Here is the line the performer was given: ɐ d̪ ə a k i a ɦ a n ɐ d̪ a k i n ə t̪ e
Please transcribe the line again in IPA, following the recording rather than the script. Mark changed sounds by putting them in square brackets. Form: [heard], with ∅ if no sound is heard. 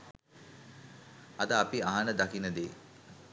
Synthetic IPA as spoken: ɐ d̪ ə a [p] i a ɦ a n [ə] d̪ a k i n ə [d̪] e